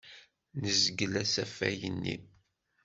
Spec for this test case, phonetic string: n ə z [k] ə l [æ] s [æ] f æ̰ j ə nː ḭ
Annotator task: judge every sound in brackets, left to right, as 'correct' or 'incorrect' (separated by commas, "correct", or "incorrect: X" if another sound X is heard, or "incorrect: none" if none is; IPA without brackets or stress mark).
incorrect: ɡ, correct, correct